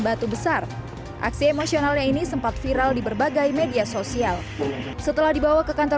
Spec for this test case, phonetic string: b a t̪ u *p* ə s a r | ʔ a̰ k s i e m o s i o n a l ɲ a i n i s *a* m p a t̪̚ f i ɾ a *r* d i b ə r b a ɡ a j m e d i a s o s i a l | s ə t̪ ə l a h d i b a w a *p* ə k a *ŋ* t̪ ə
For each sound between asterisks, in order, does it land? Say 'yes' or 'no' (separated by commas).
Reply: no, no, no, no, no